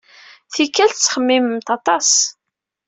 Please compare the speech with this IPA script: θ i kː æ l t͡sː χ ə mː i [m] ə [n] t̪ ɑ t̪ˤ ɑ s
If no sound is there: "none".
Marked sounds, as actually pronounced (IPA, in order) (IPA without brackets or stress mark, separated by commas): m, m